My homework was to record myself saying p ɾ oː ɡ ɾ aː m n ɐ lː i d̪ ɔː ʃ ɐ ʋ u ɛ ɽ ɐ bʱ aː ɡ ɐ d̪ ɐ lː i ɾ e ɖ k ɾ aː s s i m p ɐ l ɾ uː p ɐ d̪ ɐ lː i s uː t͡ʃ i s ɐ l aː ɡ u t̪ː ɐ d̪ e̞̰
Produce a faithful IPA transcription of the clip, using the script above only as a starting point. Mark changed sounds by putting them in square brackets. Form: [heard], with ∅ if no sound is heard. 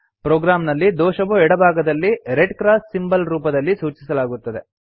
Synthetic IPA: p ɾ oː ɡ ɾ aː m n ɐ lː i d̪ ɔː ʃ ɐ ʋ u ɛ ɽ ɐ bʱ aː ɡ ɐ d̪ ɐ lː i ɾ e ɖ k ɾ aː s s i m [b] ɐ l ɾ uː p ɐ d̪ ɐ lː i s uː t͡ʃ i s ɐ l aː ɡ u t̪ː ɐ d̪ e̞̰